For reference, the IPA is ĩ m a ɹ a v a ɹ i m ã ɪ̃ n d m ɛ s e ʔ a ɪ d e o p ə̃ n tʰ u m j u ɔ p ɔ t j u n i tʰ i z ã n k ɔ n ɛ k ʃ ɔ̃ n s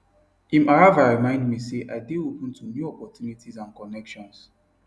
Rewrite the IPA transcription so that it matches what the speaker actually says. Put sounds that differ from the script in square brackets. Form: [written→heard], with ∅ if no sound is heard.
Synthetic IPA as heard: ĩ m a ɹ a v a ɹ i m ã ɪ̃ n d m [ɛ→i] s e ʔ a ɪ d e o p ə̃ n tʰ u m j u ɔ p ɔ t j u n i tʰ i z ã n k ɔ n ɛ k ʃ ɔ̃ n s